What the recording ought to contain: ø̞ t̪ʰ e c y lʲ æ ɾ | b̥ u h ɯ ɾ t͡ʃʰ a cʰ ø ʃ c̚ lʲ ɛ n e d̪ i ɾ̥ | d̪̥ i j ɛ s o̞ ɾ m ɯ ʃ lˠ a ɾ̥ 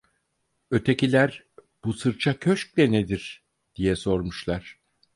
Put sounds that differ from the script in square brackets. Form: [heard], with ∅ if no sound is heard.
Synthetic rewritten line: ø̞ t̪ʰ e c [i] lʲ æ ɾ | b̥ u [s] ɯ ɾ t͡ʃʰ a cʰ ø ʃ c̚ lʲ ɛ n e d̪ i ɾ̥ | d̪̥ i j ɛ s o̞ ɾ m [u] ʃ lˠ a ɾ̥